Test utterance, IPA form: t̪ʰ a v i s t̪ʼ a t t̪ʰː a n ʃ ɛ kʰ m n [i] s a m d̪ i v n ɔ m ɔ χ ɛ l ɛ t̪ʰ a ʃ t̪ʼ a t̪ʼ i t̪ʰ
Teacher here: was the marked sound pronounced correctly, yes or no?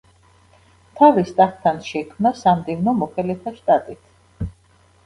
no